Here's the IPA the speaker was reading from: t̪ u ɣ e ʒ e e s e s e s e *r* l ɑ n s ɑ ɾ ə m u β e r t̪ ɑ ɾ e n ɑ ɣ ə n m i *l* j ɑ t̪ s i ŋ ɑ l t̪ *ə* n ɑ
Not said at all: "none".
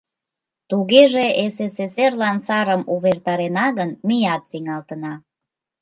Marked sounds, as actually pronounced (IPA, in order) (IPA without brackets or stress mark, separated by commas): r, none, ə